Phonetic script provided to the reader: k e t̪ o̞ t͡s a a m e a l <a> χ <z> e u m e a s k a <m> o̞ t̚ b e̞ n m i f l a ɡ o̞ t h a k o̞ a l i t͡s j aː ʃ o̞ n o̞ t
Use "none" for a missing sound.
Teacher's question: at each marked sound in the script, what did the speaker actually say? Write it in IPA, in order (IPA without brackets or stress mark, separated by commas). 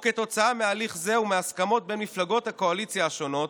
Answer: i, z, m